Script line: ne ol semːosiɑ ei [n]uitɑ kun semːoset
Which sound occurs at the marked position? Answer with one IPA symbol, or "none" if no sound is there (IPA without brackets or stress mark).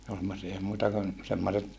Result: m